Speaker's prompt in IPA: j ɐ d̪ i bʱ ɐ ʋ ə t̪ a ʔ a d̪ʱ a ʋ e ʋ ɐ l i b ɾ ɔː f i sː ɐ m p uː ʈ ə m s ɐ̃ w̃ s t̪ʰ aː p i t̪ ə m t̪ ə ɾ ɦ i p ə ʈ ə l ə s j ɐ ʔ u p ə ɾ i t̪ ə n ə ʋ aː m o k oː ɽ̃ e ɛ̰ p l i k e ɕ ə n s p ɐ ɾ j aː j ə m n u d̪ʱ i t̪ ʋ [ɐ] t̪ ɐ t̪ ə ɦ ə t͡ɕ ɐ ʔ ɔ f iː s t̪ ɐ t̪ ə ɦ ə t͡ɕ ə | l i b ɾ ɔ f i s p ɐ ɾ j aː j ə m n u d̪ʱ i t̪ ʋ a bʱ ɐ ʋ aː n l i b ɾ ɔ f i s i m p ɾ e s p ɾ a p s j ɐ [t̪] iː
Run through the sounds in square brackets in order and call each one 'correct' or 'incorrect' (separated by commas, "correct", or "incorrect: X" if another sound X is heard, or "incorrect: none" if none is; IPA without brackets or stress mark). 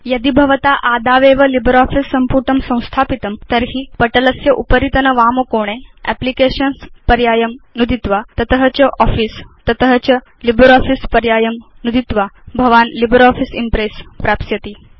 incorrect: a, correct